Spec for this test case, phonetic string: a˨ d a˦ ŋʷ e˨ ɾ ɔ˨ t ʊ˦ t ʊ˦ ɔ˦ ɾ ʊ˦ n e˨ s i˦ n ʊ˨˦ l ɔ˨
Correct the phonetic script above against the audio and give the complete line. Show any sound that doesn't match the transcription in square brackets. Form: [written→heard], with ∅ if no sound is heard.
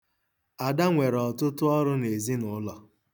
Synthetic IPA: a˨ d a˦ ŋʷ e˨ ɾ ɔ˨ t ʊ˦ t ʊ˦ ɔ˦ ɾ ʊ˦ n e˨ [s→z] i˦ n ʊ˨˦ l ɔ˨

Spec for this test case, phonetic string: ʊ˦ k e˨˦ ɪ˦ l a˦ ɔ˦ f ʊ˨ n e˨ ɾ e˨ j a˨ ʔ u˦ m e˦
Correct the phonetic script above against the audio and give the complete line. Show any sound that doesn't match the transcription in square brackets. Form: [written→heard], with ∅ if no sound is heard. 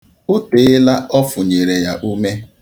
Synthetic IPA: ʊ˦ [k→t] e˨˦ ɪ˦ l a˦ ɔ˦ f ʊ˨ [n→ɲ] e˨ ɾ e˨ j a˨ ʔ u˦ m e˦

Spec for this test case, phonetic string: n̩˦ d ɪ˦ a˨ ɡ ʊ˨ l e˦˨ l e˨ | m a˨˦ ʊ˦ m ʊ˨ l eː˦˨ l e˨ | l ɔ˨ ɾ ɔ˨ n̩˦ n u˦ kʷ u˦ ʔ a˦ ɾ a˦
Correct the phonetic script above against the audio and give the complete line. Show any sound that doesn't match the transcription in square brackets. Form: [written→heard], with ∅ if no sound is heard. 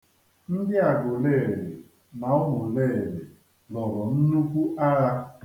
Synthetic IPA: n̩˦ d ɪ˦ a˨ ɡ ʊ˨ l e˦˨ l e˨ | m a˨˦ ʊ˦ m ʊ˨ l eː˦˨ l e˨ | l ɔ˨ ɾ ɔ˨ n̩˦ n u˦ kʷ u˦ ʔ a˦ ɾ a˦

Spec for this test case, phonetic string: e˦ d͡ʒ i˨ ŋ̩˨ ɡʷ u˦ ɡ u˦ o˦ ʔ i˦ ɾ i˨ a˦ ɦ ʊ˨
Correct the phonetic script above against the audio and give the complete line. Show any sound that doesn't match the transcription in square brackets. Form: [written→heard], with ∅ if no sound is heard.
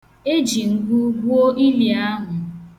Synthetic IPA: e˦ d͡ʒ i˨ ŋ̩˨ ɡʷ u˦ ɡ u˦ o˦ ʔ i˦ [ɾ→l] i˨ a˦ ɦ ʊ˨

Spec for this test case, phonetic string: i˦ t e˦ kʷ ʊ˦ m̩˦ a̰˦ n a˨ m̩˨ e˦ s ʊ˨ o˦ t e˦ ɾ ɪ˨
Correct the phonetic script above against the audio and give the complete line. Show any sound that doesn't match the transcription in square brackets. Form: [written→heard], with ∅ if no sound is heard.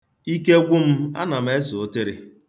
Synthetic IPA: i˦ [t→k] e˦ [kʷ→ɡʷ] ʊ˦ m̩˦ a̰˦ n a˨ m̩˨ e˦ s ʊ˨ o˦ t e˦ ɾ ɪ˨

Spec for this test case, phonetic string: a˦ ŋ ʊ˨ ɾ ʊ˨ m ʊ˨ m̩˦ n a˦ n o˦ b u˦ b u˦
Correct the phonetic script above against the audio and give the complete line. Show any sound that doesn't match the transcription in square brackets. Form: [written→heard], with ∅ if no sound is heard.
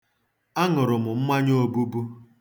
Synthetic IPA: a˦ ŋ ʊ˨ ɾ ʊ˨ m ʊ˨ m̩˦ [n→m] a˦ [n→ɲ] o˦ b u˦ b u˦

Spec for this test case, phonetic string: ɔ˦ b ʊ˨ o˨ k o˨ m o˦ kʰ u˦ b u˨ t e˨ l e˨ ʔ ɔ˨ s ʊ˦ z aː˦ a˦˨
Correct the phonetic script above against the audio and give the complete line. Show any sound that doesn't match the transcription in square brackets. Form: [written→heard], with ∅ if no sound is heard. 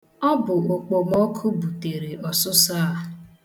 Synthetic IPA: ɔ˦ b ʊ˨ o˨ [k→k͡p] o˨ m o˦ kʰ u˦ b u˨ t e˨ [l→ɾ] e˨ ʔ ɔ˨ s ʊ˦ [z→s] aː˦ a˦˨

